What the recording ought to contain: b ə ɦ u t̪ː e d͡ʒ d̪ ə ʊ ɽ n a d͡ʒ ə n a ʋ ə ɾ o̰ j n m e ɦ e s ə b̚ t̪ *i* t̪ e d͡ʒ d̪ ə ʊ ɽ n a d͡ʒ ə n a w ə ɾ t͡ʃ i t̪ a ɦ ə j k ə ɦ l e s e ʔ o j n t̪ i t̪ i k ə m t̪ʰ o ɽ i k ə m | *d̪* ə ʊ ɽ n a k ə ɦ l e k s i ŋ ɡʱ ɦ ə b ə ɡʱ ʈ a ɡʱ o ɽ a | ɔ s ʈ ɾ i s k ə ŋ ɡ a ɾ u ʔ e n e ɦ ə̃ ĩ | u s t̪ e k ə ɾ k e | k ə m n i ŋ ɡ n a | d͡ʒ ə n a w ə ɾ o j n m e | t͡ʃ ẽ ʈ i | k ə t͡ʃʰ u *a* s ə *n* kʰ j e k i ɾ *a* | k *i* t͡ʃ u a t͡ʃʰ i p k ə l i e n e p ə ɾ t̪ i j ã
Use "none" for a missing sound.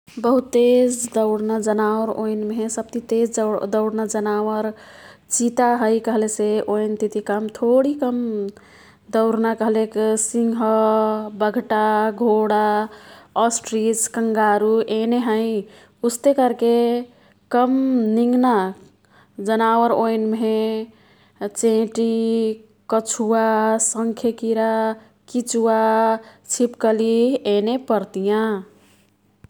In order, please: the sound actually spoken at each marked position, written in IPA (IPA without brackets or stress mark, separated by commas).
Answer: i, d̪, a, ŋ, a, i